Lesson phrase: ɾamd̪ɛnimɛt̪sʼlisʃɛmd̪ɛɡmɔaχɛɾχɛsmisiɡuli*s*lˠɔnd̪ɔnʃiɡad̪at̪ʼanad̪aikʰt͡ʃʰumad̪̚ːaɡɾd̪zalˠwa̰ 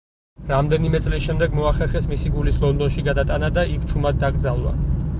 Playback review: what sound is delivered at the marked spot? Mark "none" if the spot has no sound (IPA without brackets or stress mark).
s